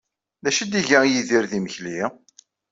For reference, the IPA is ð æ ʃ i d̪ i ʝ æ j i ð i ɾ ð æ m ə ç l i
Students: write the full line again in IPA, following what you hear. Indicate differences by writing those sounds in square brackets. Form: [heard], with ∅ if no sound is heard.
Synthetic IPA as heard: ð æ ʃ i d̪ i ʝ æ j i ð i ɾ ð [i] m ə ç l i